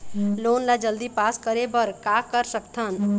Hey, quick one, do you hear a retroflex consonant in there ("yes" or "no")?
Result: no